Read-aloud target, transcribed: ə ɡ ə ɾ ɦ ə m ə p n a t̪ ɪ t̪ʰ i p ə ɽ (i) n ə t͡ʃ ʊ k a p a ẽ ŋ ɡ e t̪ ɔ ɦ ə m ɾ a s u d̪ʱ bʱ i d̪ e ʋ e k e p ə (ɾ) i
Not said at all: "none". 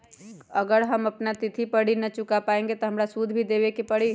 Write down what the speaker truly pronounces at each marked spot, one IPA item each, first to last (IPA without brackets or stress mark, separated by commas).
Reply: i, ɽ